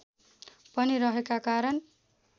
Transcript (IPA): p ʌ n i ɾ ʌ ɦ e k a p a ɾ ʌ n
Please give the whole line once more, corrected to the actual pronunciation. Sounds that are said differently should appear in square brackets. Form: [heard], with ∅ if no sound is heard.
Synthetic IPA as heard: p ʌ n i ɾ ʌ ɦ e k a [k] a ɾ ʌ n